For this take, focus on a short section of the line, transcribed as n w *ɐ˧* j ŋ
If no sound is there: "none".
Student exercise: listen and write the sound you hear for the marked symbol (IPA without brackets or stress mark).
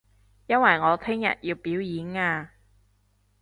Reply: ɐ˨˩